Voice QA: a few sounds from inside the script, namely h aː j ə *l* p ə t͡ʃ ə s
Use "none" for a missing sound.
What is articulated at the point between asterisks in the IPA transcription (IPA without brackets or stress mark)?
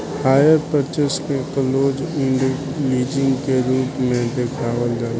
ɾ